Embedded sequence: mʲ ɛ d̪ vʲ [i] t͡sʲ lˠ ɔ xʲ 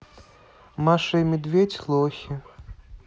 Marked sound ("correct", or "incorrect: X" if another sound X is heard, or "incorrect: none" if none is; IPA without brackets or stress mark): incorrect: e